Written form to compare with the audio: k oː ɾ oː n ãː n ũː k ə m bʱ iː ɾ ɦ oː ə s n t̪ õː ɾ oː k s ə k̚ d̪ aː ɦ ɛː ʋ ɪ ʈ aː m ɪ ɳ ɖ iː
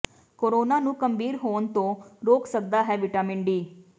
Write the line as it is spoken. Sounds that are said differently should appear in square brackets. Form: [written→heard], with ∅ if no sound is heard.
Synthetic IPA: k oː ɾ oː n [ãː→aː] n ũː k ə m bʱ iː ɾ ɦ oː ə [s→∅] n t̪ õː ɾ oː k s ə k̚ d̪ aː ɦ ɛː ʋ ɪ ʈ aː m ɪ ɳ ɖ iː